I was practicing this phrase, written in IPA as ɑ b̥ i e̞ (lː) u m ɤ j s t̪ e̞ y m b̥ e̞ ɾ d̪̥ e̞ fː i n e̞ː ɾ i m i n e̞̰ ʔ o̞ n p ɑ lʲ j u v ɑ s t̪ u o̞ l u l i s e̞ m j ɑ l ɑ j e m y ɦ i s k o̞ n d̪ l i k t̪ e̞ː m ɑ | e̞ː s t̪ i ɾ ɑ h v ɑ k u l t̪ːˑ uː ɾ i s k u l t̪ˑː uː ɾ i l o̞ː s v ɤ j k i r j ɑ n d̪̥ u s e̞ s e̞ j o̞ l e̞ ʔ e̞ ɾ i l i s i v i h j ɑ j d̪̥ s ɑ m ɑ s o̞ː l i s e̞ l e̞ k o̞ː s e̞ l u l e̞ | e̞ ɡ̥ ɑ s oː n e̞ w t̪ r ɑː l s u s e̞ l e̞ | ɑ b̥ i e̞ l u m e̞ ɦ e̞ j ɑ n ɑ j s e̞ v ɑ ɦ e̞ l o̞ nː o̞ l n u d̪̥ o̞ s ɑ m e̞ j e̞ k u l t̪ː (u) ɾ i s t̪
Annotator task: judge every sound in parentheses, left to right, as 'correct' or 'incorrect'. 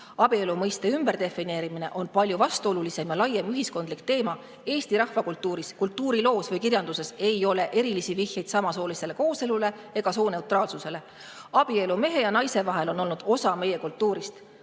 incorrect: l, incorrect: uː

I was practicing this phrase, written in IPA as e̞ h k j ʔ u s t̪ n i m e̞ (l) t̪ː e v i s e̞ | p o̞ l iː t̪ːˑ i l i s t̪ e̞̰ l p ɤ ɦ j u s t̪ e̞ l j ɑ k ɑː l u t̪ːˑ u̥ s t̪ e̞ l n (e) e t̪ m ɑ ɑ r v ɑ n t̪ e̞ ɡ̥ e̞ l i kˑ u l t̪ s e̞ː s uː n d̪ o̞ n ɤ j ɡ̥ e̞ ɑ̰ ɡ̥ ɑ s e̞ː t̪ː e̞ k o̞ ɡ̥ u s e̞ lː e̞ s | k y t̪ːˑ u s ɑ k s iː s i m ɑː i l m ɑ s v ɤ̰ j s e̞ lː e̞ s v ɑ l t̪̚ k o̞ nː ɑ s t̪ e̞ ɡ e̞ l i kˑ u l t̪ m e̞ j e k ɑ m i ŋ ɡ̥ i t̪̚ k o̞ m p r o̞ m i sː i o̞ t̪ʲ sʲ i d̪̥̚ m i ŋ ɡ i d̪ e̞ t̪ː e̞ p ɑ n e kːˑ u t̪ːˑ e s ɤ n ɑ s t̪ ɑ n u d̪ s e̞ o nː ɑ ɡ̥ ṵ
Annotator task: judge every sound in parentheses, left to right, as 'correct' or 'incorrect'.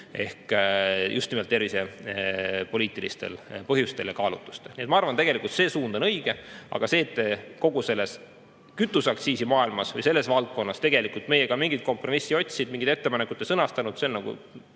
correct, incorrect: i

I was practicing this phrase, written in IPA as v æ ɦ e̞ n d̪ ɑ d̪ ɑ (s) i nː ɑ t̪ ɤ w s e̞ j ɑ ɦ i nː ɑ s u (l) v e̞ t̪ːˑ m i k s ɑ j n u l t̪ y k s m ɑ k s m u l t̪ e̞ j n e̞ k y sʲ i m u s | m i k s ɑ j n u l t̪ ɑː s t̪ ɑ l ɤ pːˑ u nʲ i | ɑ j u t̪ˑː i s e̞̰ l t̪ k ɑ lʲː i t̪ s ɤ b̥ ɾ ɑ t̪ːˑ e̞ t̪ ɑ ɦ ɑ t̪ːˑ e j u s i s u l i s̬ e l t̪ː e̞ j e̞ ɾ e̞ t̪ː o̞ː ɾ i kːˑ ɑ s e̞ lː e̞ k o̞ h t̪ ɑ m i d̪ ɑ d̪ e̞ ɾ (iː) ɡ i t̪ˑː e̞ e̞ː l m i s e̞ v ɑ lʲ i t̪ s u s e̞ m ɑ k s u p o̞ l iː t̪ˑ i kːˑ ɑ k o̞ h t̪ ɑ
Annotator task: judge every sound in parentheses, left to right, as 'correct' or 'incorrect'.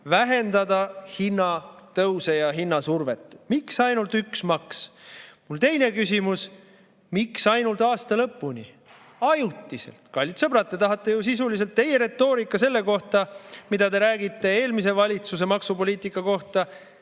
incorrect: h, incorrect: r, incorrect: æː

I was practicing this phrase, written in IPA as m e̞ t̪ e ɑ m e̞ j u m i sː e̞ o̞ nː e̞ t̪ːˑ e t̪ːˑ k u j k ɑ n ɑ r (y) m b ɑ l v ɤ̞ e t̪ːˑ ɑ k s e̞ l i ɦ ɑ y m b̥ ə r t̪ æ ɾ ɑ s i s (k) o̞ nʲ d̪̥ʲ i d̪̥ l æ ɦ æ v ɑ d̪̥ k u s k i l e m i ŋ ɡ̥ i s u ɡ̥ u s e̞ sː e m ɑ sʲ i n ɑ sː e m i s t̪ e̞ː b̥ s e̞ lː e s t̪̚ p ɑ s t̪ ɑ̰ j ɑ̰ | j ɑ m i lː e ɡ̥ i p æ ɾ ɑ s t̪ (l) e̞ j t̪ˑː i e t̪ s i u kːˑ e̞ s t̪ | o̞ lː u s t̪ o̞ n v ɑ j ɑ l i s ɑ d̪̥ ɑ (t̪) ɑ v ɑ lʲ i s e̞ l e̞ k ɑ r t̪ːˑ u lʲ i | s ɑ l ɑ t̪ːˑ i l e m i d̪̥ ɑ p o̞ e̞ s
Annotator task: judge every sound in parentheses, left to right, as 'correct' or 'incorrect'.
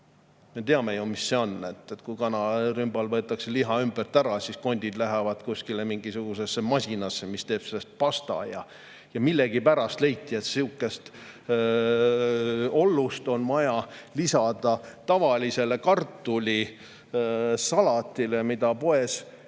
correct, correct, correct, correct

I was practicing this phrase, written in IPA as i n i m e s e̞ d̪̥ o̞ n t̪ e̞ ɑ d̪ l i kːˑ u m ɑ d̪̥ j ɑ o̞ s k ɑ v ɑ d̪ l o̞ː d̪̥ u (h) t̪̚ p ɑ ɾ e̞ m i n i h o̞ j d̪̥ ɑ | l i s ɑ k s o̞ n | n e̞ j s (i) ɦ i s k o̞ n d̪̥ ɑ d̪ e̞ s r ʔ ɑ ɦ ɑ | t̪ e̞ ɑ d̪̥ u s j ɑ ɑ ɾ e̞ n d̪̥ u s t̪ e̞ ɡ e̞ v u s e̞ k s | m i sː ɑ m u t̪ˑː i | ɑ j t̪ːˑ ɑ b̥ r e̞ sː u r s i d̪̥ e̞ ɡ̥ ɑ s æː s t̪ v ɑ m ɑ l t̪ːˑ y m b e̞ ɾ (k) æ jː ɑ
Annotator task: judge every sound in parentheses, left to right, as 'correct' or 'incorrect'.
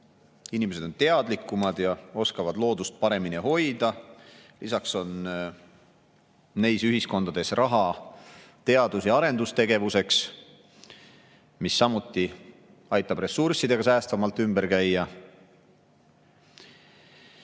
incorrect: s, incorrect: y, correct

